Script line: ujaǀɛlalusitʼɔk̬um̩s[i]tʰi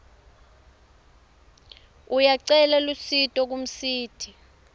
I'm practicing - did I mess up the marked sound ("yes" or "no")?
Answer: yes